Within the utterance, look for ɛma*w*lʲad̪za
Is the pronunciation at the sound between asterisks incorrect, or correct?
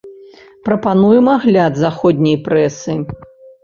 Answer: incorrect